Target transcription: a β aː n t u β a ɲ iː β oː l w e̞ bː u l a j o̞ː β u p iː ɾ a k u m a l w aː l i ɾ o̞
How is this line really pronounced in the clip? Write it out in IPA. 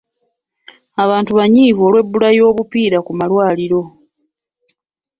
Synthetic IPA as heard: a β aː n t u β a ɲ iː v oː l w e̞ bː u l a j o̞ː β u p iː ɾ a k u m a l w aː l i ɾ o̞